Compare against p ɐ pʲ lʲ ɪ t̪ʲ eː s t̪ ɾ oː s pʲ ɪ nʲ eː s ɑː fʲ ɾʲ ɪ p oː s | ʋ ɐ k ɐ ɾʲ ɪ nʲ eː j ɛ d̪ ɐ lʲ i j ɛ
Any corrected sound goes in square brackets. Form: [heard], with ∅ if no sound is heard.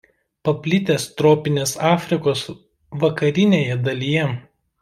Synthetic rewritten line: p ɐ pʲ lʲ ɪ t̪ʲ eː s t̪ ɾ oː [∅] pʲ ɪ nʲ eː s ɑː fʲ ɾʲ ɪ [k] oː s | ʋ ɐ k ɐ ɾʲ ɪ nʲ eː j ɛ d̪ ɐ lʲ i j ɛ